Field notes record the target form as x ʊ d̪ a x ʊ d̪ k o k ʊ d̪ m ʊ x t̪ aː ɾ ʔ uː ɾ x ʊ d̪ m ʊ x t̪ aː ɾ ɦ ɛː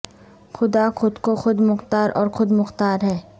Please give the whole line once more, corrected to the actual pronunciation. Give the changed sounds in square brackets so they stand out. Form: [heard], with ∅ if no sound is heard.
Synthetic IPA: x ʊ d̪ a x ʊ d̪ k o [x] ʊ d̪ m ʊ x t̪ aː ɾ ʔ [ɔː] ɾ x ʊ d̪ m ʊ x t̪ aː ɾ ɦ ɛː